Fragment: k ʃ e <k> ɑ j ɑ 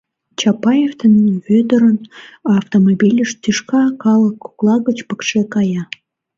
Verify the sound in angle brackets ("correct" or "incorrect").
correct